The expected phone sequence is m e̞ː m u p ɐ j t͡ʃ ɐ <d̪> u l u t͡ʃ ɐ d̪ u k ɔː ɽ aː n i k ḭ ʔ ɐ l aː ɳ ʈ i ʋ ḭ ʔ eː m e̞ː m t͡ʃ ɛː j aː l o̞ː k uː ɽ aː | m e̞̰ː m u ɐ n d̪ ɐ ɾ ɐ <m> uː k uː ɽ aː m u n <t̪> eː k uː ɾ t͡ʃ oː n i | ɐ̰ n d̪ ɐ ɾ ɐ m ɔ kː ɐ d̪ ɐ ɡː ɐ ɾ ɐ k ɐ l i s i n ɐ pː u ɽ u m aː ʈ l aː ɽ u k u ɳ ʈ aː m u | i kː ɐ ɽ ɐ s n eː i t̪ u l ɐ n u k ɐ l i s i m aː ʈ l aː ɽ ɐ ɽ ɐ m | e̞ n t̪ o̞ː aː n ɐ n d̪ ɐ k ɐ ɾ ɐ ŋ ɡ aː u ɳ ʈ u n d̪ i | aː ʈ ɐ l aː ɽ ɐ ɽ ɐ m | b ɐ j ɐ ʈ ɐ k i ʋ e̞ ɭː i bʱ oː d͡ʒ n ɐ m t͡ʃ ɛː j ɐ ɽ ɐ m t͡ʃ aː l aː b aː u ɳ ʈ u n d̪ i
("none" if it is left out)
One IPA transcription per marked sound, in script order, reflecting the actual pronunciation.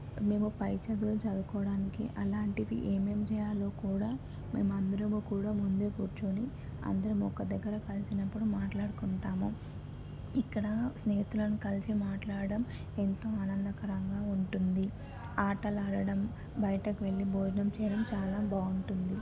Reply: d̪, m, d̪

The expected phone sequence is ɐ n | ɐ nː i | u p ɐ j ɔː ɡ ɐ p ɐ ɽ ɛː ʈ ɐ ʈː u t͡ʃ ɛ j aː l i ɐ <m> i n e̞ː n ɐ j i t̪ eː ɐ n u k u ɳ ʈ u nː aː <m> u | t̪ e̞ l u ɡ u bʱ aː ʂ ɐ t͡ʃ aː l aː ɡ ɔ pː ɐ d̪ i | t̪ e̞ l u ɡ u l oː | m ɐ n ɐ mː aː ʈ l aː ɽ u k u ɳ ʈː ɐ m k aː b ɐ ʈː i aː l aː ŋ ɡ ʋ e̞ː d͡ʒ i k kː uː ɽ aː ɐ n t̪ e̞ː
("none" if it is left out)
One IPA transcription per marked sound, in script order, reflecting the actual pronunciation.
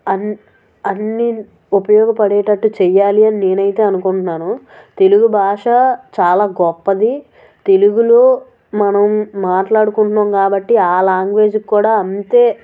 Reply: n, n

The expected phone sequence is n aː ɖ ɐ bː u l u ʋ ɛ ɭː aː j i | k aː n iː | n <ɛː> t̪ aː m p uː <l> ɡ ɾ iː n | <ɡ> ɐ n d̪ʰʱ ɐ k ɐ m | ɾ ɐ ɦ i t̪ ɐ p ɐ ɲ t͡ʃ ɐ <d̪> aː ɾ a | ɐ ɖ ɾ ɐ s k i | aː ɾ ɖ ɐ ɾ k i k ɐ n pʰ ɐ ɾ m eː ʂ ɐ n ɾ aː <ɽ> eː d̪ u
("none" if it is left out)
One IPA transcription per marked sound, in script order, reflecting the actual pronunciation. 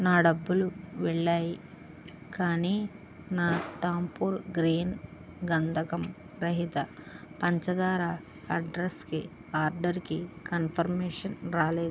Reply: aː, ɾ, ɡ, d̪, l

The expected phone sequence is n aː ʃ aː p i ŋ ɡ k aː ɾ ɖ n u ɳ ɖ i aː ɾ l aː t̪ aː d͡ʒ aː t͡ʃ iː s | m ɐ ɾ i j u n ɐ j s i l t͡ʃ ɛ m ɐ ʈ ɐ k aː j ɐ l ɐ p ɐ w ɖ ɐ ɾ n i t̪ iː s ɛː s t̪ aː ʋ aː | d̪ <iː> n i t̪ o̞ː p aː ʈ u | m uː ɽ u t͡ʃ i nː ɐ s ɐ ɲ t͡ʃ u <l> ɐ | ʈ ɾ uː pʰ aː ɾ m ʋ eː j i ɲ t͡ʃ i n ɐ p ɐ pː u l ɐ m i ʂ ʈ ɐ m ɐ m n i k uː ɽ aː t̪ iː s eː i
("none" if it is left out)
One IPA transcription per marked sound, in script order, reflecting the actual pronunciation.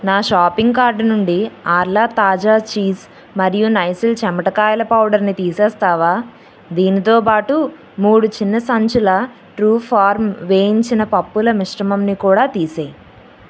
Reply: iː, l

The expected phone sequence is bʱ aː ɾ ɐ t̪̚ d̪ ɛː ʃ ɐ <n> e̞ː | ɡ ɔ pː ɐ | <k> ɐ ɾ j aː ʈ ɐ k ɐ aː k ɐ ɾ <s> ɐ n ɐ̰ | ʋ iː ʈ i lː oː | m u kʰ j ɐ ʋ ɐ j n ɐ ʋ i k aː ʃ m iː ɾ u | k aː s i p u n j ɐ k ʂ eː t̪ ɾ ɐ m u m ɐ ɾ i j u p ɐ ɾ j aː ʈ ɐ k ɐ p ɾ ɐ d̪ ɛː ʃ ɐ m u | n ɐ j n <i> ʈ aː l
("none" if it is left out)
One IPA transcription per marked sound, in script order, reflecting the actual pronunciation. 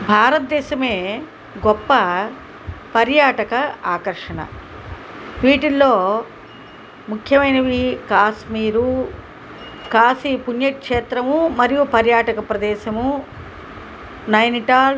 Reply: m, p, ʂ, i

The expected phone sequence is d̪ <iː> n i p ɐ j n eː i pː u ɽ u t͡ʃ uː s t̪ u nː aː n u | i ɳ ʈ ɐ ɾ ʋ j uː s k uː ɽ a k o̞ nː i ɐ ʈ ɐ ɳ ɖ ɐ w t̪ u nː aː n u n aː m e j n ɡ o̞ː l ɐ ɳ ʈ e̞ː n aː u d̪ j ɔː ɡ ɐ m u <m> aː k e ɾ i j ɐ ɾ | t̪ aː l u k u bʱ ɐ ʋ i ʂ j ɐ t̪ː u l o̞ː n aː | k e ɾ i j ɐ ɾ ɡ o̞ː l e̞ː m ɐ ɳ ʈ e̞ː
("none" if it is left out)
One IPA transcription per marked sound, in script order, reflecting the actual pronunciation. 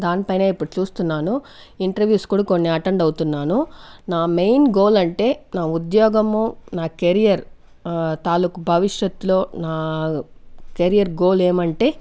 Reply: aː, n

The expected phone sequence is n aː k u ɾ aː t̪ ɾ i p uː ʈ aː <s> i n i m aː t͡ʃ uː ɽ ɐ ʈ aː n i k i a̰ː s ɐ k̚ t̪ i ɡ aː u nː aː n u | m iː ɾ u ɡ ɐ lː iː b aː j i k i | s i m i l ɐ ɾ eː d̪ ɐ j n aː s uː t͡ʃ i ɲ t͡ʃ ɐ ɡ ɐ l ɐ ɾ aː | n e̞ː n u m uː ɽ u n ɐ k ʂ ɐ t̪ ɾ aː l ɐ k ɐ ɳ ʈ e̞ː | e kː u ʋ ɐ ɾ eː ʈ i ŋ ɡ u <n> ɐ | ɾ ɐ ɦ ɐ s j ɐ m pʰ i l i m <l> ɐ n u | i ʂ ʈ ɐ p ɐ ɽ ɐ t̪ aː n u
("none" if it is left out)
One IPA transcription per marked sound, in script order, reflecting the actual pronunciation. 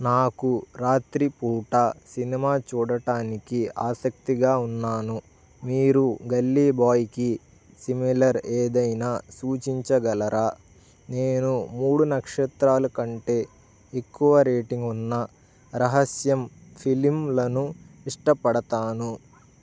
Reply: s, nː, l

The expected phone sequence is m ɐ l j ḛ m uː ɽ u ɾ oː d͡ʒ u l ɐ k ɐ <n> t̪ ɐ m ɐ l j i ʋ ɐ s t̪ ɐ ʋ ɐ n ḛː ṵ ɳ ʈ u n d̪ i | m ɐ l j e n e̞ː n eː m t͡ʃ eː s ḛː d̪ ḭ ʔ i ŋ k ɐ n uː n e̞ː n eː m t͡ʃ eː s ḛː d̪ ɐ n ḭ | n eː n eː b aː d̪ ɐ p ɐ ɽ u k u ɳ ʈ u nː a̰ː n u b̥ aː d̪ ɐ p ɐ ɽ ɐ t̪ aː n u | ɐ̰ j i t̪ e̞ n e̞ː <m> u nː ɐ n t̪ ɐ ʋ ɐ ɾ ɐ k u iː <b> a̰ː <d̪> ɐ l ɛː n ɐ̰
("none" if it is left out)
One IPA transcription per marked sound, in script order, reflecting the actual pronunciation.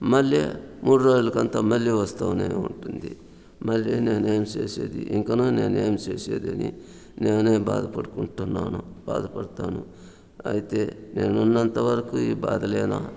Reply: n, n, b, d̪

